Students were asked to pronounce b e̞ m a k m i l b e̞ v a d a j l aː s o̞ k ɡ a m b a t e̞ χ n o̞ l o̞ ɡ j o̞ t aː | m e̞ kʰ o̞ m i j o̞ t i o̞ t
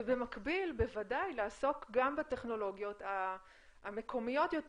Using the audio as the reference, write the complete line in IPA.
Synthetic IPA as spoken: b e̞ m a k b i l b e̞ v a d a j l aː s o̞ k ɡ a m b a t e̞ χ n o̞ l o̞ ɡ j o̞ t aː | m e̞ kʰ o̞ m i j o̞ t j o̞ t